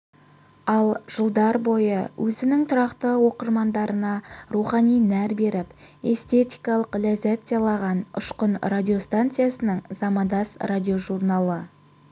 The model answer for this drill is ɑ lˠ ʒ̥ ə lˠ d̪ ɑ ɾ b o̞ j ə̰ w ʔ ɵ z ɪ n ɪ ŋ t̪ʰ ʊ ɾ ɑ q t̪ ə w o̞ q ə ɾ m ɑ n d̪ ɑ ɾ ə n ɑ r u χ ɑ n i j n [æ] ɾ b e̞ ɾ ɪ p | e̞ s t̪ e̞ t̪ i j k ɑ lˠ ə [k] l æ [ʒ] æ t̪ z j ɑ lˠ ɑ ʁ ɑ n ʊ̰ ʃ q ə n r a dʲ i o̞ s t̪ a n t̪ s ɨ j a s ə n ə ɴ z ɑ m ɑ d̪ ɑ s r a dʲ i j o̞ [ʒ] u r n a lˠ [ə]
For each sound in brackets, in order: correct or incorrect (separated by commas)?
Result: correct, incorrect, incorrect, correct, correct